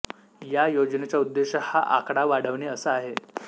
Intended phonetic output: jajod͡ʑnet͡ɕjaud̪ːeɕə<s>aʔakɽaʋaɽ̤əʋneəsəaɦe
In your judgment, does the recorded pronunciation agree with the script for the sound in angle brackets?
no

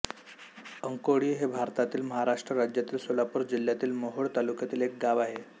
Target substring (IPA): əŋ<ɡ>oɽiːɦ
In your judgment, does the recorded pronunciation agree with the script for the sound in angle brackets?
no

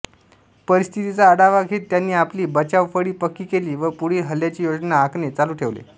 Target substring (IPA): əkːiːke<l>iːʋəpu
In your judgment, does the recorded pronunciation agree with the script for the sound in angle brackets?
yes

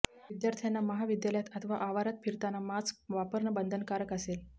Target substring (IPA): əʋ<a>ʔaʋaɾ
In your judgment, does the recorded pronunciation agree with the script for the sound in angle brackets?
yes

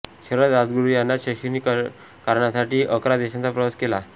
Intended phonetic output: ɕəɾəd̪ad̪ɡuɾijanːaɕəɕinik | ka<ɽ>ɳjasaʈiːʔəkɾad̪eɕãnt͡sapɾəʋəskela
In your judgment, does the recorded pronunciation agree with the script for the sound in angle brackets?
no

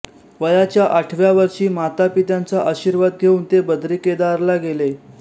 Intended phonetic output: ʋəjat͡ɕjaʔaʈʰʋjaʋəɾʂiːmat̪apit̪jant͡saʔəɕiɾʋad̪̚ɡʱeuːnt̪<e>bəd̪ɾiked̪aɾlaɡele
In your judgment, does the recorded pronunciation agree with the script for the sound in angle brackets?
yes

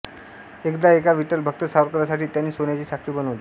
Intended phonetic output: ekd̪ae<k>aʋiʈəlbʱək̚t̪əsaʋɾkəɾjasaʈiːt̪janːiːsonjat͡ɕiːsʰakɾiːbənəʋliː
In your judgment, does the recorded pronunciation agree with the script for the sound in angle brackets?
yes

